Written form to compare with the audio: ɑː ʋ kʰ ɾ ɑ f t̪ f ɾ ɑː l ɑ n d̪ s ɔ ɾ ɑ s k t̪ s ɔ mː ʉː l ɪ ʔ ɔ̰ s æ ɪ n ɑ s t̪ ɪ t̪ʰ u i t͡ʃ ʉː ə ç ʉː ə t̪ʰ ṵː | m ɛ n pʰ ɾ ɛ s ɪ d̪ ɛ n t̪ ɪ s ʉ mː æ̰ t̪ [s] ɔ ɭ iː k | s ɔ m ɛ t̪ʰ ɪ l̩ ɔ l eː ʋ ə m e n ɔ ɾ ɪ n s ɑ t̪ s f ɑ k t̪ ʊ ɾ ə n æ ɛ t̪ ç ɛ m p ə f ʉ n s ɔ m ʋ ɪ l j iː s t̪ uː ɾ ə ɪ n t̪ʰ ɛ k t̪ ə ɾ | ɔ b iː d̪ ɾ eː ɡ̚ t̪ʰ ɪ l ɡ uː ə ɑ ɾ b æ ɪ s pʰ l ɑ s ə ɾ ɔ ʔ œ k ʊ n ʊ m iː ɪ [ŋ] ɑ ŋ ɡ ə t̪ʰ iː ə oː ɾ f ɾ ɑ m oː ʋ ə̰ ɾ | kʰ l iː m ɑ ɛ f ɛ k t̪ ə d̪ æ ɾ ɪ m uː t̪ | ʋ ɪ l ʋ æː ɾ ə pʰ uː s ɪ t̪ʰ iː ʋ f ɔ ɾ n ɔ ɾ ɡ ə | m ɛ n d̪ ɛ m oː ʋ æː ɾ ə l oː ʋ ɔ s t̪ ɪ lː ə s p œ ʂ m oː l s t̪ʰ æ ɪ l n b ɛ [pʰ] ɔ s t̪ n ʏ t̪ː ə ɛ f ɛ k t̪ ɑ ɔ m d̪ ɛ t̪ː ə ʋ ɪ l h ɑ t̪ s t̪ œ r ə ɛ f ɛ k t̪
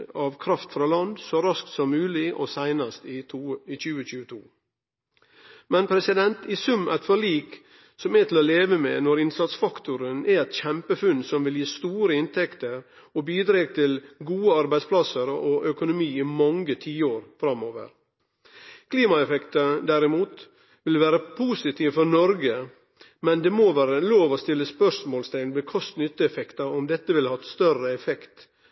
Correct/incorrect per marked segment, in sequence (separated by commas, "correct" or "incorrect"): incorrect, incorrect, incorrect